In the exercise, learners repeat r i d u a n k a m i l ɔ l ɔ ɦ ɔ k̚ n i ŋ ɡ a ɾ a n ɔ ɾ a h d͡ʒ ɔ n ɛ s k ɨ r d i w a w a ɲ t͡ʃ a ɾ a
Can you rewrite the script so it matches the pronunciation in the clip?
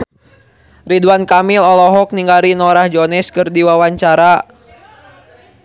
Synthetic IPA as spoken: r i d u a n k a m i l ɔ l ɔ ɦ ɔ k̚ n i ŋ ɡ a ɾ i n ɔ ɾ a h d͡ʒ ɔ n ɛ s k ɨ r d i w a w a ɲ t͡ʃ a ɾ a